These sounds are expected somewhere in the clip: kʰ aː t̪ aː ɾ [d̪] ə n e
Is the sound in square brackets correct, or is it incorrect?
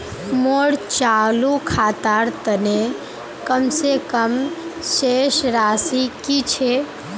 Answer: incorrect: t̪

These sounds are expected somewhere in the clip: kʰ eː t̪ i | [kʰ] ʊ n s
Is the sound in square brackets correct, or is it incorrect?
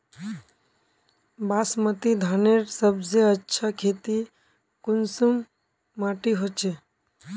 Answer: incorrect: k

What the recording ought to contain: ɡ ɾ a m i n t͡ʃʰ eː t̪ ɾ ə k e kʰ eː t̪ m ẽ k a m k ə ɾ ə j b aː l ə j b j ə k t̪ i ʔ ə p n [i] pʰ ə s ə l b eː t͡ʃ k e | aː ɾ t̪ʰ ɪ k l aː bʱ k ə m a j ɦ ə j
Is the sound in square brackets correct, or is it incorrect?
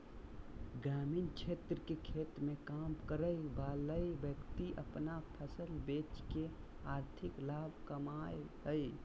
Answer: incorrect: a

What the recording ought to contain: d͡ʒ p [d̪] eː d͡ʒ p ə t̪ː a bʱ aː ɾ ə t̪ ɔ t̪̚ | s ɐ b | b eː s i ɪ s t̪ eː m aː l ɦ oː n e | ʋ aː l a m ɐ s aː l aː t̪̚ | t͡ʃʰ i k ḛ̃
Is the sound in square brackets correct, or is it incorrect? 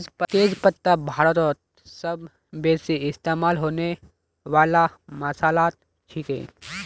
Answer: incorrect: t̪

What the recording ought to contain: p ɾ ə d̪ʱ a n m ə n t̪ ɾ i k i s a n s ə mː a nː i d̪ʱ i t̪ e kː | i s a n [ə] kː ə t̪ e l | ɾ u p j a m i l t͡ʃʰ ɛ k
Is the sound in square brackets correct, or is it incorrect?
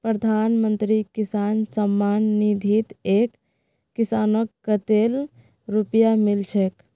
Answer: correct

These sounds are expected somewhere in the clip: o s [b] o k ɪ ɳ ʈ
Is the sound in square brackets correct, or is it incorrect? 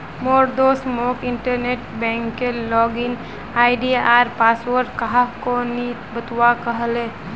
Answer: incorrect: m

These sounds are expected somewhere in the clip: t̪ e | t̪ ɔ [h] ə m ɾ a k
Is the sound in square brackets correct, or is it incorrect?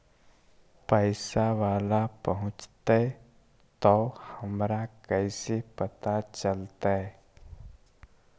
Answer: correct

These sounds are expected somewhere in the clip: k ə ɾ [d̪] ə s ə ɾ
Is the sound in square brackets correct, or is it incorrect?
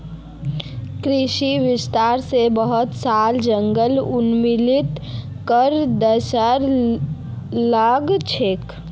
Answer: correct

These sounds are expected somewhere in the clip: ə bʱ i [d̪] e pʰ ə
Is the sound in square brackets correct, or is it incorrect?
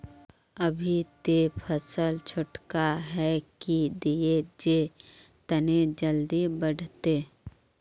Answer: incorrect: t̪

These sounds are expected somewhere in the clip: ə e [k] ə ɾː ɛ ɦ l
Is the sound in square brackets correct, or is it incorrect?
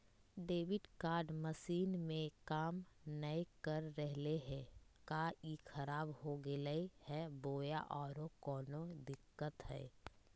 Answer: correct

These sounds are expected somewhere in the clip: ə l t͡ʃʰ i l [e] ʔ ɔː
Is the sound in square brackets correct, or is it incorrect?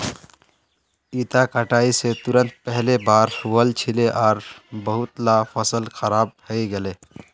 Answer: correct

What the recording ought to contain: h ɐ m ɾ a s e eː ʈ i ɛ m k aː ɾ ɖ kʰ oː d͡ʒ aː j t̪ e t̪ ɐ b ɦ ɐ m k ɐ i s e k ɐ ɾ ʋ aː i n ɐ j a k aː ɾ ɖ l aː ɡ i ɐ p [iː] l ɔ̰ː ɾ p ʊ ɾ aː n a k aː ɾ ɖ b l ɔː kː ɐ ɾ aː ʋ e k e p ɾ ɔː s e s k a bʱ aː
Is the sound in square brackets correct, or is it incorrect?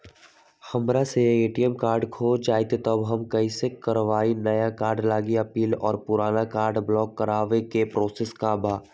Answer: correct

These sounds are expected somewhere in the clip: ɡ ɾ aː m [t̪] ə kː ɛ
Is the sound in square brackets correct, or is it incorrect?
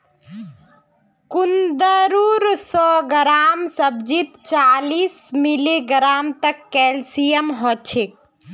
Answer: correct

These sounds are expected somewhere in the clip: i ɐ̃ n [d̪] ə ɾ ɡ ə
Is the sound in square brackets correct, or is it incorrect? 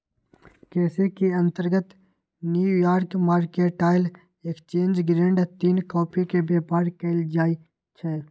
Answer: incorrect: t̪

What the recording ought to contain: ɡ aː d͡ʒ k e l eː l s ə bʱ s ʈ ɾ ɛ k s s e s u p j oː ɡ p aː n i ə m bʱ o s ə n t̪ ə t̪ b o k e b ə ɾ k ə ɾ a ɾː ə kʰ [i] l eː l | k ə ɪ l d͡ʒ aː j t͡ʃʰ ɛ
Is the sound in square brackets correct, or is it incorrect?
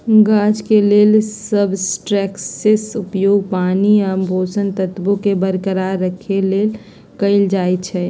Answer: incorrect: e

